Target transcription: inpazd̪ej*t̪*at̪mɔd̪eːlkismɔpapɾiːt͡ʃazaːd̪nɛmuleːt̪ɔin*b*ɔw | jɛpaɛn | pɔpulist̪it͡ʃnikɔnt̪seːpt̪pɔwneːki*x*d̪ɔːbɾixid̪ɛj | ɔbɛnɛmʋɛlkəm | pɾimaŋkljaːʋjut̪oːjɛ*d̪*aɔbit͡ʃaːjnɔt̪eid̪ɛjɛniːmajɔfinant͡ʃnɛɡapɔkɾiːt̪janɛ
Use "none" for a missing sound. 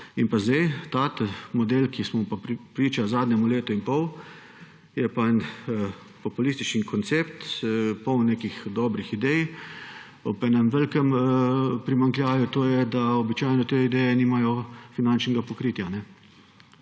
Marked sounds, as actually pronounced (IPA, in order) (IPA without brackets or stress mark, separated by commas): t̪, p, x, d̪